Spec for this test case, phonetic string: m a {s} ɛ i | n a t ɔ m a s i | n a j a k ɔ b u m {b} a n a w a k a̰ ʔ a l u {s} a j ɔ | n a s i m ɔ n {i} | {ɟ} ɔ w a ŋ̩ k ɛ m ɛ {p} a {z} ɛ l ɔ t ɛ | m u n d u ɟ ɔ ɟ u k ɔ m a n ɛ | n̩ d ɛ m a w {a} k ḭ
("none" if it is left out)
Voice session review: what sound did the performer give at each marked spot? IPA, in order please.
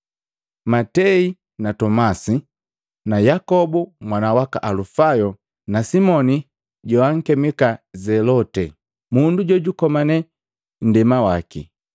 t, w, f, i, ɟ, k, z, a

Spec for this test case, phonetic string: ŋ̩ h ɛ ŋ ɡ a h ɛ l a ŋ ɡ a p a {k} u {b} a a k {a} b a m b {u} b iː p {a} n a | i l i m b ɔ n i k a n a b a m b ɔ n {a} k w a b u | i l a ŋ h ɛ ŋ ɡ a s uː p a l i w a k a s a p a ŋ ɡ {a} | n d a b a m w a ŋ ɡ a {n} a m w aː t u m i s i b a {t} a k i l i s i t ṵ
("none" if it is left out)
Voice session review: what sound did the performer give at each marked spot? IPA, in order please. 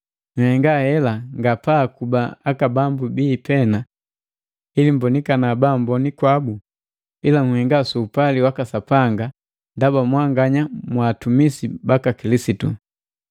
k, b, a, u, ɛ, i, a, ɲ, k

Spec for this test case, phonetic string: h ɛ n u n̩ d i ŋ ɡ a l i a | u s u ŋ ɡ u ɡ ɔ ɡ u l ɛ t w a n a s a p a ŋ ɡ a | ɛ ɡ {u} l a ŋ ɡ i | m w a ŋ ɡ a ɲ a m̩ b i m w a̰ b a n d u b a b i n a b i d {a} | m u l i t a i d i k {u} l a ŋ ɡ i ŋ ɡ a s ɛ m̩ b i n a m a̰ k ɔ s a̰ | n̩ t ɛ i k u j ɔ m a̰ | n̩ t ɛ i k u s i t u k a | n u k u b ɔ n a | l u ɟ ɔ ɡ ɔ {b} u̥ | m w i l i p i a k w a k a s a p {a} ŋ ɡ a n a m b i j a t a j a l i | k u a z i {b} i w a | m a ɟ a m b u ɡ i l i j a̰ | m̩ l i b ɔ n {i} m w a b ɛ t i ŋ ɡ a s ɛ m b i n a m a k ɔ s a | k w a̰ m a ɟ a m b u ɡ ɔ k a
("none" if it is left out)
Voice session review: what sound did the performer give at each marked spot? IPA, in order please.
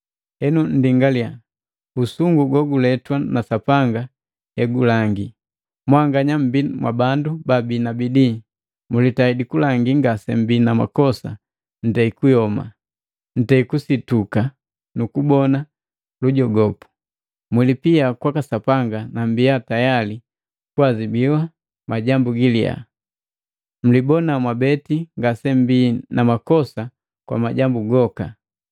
u, i, u, p, a, b, a

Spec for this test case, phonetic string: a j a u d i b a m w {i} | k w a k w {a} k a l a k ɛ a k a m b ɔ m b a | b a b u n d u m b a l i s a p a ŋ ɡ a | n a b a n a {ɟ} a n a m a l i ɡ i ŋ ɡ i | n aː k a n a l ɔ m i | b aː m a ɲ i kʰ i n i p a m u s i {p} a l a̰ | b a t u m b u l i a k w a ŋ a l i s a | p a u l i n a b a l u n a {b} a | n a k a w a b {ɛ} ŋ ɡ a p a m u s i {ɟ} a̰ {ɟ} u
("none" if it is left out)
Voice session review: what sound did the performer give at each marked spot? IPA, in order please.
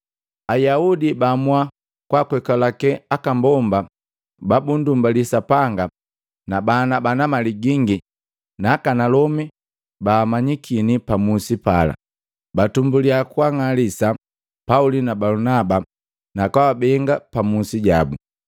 a, ɛ, b, p, b, ɛ, ɟ, b

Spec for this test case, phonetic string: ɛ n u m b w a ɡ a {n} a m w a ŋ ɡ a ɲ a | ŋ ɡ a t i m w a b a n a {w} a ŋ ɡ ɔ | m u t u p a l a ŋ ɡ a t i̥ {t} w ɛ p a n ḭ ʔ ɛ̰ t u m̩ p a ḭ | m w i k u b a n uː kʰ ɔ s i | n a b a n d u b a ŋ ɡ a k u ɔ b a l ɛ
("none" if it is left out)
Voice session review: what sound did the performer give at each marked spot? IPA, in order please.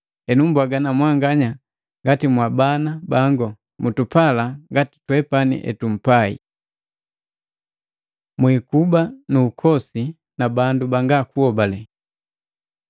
n, b, t

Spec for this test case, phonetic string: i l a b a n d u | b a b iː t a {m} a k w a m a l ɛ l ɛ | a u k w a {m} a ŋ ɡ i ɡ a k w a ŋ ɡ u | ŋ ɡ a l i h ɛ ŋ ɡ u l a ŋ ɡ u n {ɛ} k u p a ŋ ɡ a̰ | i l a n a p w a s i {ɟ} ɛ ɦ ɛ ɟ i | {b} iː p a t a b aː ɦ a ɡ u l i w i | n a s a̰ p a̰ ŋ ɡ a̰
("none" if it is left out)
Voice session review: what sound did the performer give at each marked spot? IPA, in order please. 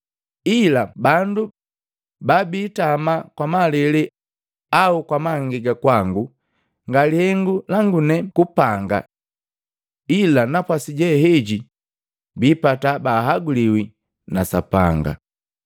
m, m, ɛ, ɟ, b

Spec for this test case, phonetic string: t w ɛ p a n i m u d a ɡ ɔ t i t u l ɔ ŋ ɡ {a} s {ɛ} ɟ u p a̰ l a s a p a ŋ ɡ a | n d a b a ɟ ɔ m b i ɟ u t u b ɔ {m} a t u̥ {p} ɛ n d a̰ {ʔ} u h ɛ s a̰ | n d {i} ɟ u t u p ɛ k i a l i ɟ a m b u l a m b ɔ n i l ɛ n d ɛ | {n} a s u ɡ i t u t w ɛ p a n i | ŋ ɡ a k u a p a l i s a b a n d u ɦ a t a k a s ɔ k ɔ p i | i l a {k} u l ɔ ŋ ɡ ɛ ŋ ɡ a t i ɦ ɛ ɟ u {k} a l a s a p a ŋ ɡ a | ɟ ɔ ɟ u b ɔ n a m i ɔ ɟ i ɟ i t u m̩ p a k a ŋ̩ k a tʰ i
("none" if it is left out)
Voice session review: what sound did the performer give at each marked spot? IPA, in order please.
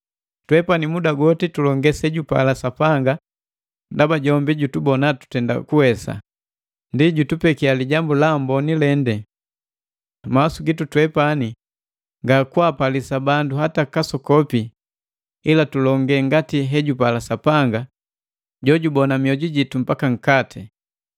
ɛ, ɛ, n, t, k, i, m, t, p

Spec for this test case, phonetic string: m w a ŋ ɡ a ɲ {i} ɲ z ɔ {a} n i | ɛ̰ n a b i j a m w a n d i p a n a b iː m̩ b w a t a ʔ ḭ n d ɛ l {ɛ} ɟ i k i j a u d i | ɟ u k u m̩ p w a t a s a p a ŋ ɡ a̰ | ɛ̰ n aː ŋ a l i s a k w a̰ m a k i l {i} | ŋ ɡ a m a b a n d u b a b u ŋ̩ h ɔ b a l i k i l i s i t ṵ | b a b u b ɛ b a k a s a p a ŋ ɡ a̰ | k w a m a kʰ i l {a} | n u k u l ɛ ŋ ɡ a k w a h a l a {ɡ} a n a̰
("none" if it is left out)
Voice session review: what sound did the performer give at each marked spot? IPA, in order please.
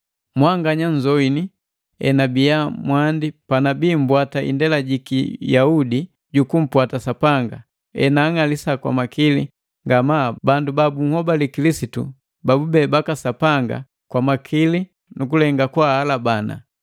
a, i, a, i, i, b

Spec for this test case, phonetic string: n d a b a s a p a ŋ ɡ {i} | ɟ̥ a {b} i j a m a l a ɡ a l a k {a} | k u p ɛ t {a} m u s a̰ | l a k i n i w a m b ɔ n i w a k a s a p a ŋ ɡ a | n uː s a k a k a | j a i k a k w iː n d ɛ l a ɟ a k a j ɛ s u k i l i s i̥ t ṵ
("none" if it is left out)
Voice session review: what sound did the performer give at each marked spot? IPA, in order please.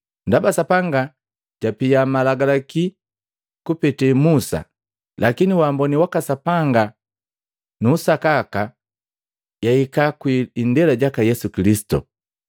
a, p, i, ɛ

